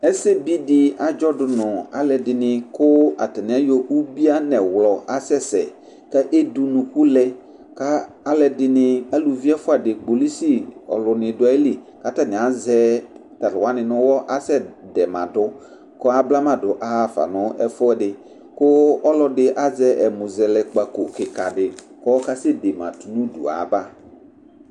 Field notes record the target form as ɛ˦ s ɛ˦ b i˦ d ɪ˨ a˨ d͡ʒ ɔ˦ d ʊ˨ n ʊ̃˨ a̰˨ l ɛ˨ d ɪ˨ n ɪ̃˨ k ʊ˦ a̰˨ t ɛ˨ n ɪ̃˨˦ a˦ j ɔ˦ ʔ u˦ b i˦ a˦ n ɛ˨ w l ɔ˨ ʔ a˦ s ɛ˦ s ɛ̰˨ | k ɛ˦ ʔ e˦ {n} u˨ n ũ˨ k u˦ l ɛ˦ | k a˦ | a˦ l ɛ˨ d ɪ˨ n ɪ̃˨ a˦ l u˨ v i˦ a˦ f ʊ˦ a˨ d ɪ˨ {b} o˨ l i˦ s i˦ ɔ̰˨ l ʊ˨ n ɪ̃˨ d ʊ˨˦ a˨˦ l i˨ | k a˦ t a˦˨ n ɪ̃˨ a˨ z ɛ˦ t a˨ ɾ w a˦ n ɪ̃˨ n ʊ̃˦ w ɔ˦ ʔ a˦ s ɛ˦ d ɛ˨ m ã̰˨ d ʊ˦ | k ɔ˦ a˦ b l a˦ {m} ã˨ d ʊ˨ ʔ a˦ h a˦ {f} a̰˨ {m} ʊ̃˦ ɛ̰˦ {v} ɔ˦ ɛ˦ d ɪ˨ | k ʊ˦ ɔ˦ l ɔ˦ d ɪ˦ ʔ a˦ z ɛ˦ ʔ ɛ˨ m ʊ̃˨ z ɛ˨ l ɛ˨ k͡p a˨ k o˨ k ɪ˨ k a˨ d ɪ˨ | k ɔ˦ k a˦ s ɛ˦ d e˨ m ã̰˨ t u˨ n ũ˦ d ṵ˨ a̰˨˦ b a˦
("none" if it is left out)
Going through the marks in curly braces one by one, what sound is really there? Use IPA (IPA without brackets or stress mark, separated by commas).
d, ɡ͡b, m, f, n, f